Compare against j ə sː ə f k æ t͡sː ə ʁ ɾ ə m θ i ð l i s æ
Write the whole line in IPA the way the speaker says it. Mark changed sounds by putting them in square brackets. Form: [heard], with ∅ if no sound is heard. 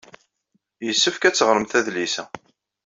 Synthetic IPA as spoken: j ə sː ə f k æ t͡sː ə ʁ ɾ ə m θ [æ] ð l i s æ